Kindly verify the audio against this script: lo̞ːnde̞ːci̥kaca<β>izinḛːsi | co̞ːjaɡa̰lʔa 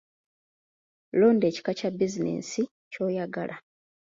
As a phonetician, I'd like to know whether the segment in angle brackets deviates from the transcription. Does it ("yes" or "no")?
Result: yes